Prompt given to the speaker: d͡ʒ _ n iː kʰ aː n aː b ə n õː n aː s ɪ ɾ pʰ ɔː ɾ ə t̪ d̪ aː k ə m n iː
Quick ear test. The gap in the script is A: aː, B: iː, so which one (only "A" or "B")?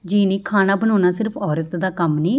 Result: B